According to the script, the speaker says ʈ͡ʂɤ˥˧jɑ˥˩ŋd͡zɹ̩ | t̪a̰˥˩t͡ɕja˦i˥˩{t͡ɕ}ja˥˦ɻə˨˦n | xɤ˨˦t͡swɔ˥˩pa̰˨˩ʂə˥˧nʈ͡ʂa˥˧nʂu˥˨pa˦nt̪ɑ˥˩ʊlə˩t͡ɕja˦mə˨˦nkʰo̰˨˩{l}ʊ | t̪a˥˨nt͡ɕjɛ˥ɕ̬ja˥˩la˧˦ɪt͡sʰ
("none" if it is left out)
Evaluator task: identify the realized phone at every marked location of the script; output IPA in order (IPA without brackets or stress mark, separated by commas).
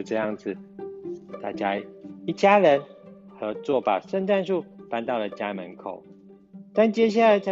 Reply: t͡ɕ, none